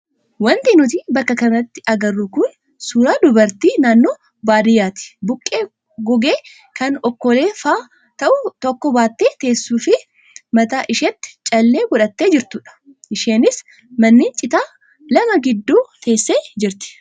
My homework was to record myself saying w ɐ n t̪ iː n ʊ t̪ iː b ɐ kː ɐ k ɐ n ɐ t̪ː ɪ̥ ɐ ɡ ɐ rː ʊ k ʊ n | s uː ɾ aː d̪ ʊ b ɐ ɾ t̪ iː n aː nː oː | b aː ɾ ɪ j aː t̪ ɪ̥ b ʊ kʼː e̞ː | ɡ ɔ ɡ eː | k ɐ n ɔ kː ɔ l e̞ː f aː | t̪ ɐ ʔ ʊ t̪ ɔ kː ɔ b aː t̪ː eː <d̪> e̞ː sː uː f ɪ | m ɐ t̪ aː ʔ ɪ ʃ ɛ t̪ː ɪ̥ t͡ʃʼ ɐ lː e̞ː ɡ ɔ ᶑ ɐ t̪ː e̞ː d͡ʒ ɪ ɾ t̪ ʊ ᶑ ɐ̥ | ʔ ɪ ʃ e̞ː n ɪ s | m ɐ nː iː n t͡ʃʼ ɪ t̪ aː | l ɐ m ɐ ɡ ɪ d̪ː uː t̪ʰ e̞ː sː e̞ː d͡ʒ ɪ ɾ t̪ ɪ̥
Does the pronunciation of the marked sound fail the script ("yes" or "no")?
yes